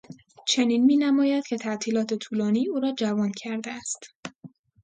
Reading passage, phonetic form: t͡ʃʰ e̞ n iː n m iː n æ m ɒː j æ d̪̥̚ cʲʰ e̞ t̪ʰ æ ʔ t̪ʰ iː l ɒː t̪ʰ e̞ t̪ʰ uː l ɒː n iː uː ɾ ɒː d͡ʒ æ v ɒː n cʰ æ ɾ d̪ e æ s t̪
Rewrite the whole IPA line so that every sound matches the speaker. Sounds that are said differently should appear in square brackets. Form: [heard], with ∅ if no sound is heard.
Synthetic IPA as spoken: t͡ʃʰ e̞ n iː n m iː n æ m ɒː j æ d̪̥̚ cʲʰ e̞ t̪ʰ æ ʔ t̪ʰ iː l ɒː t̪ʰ e̞ t̪ʰ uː l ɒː n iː uː ɾ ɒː d͡ʒ æ v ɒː n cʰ æ ɾ d̪ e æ s t̪